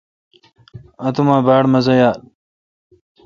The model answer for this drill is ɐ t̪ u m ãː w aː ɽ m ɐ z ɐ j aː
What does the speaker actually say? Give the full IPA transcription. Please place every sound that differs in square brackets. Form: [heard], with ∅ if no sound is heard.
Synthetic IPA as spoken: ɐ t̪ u m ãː [b] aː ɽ m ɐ z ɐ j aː